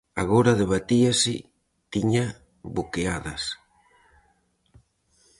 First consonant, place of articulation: velar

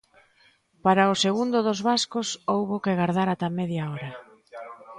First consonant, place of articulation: labial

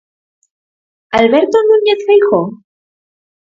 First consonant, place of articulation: alveolar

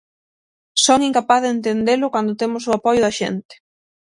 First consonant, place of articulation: alveolar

